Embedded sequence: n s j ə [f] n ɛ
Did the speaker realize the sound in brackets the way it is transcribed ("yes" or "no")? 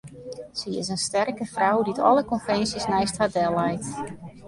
no